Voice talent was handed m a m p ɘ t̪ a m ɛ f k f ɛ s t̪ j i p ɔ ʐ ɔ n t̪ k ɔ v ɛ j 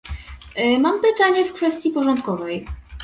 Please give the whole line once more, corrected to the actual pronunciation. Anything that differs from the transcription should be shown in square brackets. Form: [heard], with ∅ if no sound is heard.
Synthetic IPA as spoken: m a m p ɘ t̪ a [ɲ] ɛ f k f ɛ s t̪ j i p ɔ ʐ ɔ n t̪ k ɔ v ɛ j